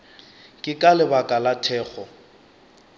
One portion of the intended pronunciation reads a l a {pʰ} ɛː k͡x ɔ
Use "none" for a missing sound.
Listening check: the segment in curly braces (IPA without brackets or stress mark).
tʰ